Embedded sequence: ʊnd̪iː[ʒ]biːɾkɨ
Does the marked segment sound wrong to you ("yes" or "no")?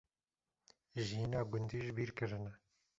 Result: no